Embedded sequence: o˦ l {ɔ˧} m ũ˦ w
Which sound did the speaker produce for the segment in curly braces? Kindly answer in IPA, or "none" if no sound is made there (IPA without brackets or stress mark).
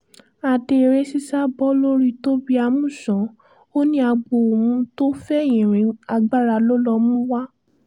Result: ɔ˧